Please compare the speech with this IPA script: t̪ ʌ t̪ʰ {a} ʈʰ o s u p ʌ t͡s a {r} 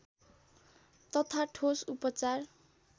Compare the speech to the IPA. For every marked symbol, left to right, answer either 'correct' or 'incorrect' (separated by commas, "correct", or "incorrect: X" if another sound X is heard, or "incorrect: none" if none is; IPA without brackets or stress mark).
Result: correct, correct